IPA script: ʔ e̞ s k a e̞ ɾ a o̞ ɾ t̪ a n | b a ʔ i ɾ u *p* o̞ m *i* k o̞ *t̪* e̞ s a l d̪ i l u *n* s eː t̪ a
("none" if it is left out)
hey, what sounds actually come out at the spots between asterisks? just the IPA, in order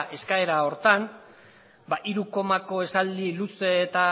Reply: k, a, none, none

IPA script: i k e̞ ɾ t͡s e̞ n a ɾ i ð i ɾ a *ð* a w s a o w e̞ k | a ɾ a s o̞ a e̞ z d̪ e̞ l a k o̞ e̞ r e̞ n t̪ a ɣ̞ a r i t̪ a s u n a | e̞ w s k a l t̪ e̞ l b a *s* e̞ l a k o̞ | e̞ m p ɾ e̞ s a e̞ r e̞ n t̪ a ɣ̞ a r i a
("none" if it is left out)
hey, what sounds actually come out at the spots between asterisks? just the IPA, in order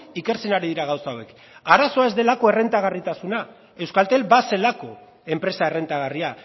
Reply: ɣ, s

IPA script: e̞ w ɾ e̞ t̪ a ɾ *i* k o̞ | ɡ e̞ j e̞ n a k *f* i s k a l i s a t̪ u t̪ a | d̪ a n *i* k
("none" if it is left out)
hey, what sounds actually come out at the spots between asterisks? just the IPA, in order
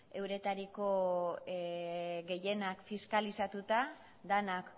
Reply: i, f, a

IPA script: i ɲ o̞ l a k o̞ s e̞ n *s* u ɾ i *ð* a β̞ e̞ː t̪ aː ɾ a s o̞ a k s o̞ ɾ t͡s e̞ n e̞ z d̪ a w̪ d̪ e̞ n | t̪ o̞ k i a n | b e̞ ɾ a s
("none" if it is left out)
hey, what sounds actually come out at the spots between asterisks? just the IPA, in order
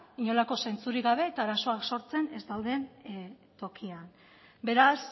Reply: t͡s, ɣ

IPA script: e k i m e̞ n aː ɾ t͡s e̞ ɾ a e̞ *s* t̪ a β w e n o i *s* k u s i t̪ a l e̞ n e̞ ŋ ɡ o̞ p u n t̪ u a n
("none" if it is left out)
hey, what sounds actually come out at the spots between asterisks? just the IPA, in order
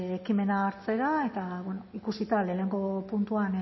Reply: none, none

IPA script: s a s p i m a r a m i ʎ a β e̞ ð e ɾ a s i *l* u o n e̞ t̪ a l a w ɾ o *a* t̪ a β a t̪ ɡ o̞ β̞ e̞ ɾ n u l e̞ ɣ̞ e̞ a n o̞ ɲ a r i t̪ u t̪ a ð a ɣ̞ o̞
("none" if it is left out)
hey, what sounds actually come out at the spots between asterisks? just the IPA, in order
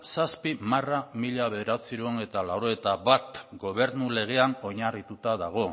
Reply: ɾ, e

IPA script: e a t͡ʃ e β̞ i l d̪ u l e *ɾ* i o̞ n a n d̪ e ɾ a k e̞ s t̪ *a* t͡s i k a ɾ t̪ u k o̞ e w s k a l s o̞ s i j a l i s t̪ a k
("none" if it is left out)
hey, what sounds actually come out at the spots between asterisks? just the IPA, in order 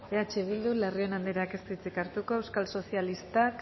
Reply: r, i

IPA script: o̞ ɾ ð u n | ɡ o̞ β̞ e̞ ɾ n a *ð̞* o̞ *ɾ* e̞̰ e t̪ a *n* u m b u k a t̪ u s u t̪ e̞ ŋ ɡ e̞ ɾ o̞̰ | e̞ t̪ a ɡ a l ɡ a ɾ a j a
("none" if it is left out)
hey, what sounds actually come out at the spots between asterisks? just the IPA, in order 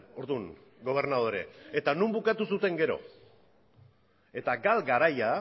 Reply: ð̞, ɾ, n

